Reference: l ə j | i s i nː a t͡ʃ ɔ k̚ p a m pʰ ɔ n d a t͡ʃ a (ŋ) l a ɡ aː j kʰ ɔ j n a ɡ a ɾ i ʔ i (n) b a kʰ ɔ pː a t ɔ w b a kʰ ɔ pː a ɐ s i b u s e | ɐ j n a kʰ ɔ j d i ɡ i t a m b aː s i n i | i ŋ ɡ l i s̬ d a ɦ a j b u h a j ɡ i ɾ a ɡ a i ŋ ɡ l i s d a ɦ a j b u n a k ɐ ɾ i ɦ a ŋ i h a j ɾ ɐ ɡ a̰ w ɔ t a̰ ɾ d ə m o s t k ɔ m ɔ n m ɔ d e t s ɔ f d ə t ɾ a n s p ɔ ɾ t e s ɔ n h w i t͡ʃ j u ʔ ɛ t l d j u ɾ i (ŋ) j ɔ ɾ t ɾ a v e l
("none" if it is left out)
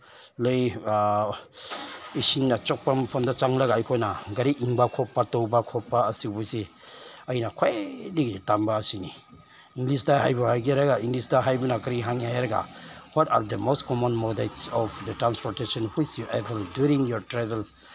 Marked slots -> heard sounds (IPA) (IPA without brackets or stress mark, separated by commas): ŋ, ŋ, ŋ